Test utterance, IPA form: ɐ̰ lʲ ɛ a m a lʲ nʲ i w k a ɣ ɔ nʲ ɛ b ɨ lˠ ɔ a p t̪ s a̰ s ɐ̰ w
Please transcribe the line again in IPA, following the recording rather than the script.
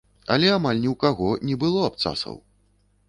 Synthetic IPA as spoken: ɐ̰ lʲ ɛ a m a lʲ nʲ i w k a ɣ ɔ nʲ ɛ b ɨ lˠ ɔ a p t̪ s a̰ s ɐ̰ w